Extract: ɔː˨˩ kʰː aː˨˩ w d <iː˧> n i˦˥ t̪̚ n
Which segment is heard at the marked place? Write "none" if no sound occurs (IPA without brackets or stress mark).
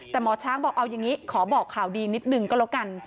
iː˧